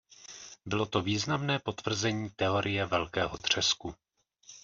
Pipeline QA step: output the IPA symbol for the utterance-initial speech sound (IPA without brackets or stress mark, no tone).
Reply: b